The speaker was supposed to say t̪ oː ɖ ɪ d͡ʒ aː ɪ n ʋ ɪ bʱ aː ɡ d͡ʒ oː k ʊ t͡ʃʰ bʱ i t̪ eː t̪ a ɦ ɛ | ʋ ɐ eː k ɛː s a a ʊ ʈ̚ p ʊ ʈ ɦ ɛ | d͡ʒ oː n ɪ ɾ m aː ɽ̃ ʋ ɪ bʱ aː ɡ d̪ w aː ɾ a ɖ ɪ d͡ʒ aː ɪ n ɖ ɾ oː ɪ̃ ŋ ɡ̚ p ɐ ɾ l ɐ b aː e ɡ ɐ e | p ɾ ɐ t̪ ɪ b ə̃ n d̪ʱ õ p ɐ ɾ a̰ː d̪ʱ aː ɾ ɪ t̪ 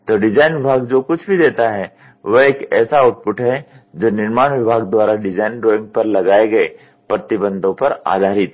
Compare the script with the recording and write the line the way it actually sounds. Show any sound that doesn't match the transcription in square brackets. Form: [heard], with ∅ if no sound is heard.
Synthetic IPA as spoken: t̪ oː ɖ ɪ d͡ʒ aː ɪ n ʋ ɪ bʱ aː ɡ d͡ʒ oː k ʊ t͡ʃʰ bʱ i [d̪] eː t̪ a ɦ ɛ | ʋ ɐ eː k ɛː s a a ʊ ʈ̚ p ʊ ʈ ɦ ɛ | d͡ʒ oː n ɪ ɾ m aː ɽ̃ ʋ ɪ bʱ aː ɡ d̪ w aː ɾ a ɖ ɪ d͡ʒ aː ɪ n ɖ ɾ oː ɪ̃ ŋ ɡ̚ p ɐ ɾ l ɐ [ɡ] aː e ɡ ɐ e | p ɾ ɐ t̪ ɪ b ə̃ n d̪ʱ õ p ɐ ɾ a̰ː d̪ʱ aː ɾ ɪ t̪